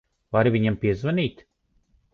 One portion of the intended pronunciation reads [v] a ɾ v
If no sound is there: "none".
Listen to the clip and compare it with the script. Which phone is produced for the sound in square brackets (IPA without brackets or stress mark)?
v